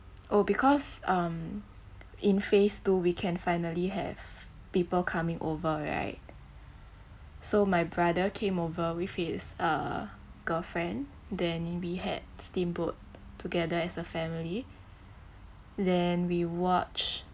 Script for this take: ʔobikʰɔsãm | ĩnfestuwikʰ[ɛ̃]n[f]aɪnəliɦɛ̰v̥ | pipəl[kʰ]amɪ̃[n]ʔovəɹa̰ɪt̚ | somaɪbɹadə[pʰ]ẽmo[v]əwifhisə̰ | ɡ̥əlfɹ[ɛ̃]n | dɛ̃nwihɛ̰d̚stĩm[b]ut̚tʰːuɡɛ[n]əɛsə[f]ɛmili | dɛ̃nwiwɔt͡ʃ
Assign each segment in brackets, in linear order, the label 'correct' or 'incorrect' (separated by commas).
correct, correct, correct, incorrect, incorrect, correct, correct, correct, incorrect, correct